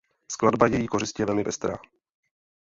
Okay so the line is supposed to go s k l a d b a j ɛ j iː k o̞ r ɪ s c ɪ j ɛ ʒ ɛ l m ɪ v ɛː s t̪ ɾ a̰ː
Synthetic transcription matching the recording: s k l a d b a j ɛ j iː k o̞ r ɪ s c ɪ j ɛ v ɛ l m ɪ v ɛ s t̪ ɾ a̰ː